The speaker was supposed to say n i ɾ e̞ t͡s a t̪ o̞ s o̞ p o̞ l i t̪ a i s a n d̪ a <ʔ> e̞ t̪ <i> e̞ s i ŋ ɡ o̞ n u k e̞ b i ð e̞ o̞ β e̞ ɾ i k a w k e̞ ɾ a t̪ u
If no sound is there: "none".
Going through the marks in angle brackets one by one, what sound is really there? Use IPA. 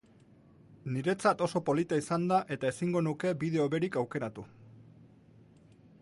ʔ, a

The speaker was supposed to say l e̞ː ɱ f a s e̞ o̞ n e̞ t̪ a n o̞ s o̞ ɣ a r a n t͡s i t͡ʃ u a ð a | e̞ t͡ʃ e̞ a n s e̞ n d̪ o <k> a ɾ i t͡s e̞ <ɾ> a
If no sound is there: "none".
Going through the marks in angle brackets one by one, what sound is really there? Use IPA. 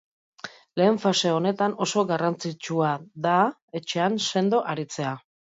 ʔ, none

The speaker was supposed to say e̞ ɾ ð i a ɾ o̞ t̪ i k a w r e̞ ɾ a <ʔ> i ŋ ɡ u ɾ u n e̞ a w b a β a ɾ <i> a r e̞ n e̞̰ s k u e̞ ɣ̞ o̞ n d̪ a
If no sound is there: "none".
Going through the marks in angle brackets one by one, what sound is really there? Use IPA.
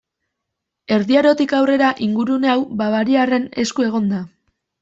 ʔ, i

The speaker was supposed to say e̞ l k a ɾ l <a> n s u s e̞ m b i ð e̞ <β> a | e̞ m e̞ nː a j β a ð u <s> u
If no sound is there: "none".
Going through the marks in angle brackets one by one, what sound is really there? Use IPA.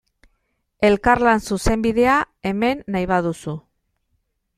a, none, s

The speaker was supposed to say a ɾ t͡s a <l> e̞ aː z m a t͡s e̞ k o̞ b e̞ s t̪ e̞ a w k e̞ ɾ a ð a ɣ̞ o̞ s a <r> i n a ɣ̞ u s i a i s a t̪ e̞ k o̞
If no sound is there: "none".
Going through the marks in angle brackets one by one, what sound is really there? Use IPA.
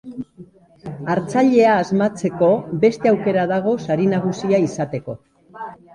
ʎ, ɾ

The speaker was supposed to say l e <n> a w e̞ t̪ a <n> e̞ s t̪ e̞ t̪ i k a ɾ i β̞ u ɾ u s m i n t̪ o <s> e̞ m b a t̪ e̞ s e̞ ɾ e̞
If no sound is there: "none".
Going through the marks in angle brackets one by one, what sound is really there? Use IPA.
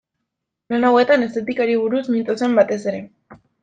n, n, s

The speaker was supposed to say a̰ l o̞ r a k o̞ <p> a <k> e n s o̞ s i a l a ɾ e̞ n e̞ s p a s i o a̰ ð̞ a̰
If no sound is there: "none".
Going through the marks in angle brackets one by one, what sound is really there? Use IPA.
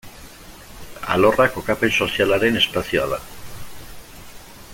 k, p

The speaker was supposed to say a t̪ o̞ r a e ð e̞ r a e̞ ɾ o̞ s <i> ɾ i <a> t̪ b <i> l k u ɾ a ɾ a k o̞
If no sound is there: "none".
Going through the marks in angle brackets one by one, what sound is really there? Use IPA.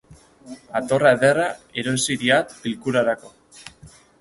i, a, i

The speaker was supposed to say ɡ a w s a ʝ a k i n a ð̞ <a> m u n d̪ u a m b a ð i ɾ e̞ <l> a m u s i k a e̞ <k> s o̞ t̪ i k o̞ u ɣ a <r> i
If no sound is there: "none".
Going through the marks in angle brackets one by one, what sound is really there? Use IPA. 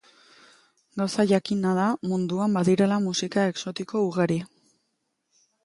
a, l, k, ɾ

